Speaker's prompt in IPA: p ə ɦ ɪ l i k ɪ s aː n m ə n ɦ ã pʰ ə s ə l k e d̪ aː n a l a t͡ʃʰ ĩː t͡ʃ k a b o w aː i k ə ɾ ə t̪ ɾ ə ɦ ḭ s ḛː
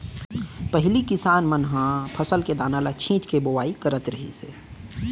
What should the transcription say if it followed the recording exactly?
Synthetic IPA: p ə ɦ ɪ l i k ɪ s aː n m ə n ɦ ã pʰ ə s ə l k e d̪ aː n a l a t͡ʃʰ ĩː t͡ʃ k e b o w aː i k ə ɾ ə t̪ ɾ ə ɦ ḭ s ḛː